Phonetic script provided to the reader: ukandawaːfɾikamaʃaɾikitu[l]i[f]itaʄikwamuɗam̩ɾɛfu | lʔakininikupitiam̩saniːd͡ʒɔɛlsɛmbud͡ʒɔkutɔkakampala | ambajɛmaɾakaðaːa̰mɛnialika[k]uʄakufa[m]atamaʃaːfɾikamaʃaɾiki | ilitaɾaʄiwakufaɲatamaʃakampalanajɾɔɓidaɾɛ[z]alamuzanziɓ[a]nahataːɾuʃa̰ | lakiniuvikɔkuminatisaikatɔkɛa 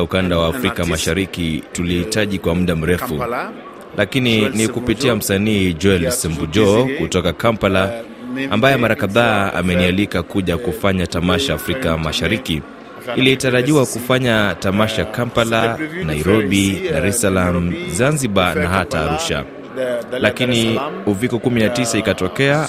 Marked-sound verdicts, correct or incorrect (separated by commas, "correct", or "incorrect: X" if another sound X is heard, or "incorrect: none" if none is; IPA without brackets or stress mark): correct, incorrect: h, correct, incorrect: ɲ, incorrect: s, correct